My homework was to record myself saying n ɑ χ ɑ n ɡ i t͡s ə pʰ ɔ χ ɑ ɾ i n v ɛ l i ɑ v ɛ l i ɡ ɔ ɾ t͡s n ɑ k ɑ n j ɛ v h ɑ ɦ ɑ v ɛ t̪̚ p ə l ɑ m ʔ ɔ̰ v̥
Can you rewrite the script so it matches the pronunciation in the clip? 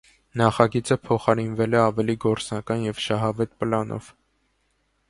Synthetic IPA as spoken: n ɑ χ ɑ ɡ i t͡s ə pʰ ɔ χ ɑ ɾ i n v ɛ l ɛ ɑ v ɛ l i ɡ ɔ ɾ t͡s n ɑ k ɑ n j ɛ v ʃ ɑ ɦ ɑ v ɛ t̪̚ p ə l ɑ n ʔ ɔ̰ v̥